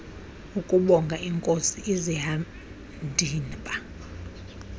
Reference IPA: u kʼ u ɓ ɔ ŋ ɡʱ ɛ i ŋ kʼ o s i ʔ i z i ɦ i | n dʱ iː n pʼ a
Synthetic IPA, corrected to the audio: u kʼ u ɓ ɔ ŋ ɡʱ a i ŋ kʼ o s i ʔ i z i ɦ a | n dʱ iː n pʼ a